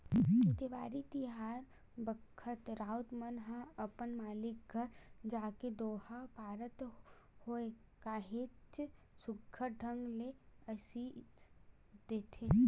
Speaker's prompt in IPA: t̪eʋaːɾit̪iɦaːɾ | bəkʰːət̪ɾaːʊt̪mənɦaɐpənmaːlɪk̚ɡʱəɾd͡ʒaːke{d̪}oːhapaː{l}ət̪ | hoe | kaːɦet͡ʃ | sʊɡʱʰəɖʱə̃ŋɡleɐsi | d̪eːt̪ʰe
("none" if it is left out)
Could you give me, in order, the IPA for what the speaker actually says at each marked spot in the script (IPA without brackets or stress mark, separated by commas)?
d̪, ɾ